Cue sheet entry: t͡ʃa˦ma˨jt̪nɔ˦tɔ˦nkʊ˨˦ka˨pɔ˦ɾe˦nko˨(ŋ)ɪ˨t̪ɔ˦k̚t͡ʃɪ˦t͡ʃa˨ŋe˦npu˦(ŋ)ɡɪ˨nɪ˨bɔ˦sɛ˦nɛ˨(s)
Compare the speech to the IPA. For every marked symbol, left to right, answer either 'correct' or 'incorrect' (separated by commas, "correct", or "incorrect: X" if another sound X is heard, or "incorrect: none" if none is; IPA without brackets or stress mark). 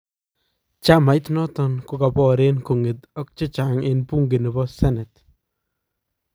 correct, correct, incorrect: t